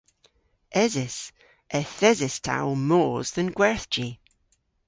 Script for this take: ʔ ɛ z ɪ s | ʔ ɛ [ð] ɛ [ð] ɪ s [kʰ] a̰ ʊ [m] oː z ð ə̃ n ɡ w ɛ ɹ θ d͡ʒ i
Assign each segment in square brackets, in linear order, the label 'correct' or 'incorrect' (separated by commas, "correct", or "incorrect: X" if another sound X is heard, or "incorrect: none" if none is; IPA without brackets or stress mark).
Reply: incorrect: θ, incorrect: z, incorrect: tʰ, correct